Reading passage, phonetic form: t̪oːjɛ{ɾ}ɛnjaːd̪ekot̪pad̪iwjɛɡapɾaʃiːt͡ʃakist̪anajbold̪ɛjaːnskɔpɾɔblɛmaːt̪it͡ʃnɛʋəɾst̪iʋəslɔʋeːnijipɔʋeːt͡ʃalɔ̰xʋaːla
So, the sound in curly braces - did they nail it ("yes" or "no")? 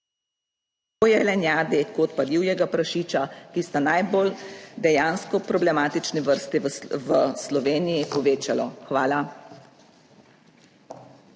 no